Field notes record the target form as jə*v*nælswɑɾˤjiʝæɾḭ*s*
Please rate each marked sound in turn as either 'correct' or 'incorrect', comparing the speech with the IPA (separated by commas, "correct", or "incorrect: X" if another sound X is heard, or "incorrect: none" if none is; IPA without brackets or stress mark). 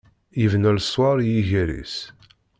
correct, correct